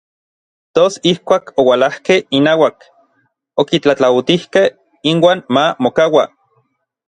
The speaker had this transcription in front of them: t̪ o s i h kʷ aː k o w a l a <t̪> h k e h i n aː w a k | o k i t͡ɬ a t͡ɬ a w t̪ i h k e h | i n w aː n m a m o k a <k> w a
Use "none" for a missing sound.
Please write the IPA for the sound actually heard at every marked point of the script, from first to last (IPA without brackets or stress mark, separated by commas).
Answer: none, none